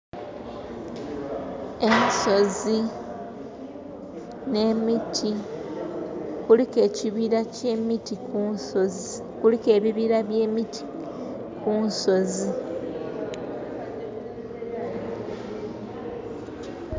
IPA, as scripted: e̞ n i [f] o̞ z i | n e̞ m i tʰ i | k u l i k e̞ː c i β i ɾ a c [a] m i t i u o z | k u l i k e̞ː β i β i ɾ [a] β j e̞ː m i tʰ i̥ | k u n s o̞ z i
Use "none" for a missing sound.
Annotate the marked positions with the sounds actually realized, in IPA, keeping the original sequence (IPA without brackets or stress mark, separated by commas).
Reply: s, e, a